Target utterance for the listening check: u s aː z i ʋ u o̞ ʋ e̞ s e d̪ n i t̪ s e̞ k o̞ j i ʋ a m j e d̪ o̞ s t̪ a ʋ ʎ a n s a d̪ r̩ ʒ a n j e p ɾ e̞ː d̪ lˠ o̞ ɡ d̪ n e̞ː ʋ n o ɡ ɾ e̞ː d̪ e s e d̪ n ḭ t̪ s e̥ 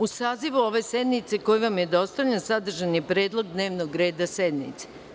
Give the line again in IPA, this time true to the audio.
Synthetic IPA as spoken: u s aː z i ʋ u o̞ ʋ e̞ s e d̪ n i t̪ s e̞ k o̞ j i ʋ a m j e d̪ o̞ s t̪ a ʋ ʎ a n s a d̪ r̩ ʒ a n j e p ɾ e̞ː d̪ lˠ o̞ ɡ d̪ n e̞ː ʋ n o ɡ ɾ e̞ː d̪ a s e d̪ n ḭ t̪ s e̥